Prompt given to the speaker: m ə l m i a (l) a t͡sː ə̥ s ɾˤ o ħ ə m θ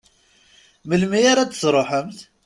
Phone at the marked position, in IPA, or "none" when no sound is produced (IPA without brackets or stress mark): ɾ